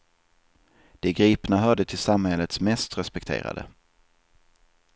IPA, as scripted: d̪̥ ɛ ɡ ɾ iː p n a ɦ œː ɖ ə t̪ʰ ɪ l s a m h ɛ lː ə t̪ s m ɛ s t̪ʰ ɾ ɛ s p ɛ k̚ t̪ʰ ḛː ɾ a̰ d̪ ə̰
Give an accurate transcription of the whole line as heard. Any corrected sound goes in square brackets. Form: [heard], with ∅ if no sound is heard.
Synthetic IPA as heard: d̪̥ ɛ ɡ ɾ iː p n a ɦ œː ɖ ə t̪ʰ ɪ l s a m h ɛ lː ə t̪ s m ɛ s [t̪] ɾ ɛ s p ɛ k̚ t̪ʰ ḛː ɾ a̰ d̪ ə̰